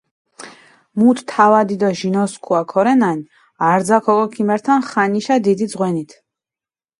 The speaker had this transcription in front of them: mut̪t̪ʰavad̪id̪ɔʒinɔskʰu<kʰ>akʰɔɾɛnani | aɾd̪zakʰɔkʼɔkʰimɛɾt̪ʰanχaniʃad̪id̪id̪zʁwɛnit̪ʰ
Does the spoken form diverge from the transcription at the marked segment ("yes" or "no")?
yes